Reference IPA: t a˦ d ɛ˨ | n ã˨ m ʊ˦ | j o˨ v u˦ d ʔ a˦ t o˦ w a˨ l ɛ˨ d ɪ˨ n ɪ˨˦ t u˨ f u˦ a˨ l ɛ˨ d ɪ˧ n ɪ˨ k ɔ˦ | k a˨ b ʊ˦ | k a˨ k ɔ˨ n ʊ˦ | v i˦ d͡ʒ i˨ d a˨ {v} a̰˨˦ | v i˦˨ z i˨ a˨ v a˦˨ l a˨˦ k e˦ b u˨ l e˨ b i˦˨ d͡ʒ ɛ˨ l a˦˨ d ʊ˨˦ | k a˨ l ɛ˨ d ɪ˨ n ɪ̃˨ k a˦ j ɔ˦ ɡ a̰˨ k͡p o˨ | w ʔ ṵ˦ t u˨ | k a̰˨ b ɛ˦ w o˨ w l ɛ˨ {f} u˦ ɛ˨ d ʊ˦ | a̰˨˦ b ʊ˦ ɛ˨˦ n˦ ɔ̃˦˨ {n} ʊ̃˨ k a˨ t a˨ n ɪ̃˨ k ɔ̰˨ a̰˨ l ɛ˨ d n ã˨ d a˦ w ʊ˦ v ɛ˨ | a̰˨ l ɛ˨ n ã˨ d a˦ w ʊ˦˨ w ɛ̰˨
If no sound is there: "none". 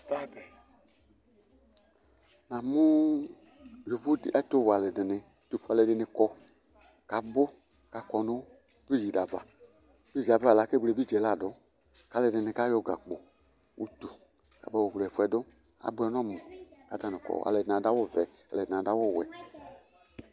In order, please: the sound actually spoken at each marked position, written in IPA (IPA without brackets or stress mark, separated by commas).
v, f, m